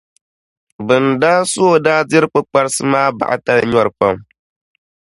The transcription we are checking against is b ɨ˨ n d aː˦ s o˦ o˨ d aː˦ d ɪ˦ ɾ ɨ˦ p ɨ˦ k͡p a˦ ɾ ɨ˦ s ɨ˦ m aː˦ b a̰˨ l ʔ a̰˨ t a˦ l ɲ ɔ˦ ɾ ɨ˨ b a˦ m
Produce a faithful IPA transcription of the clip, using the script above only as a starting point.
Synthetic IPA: b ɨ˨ n d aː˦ s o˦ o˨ d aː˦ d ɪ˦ ɾ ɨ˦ k͡p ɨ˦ k͡p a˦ ɾ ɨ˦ s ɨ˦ m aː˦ b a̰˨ ʔ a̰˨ t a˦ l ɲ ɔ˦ ɾ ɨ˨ p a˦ m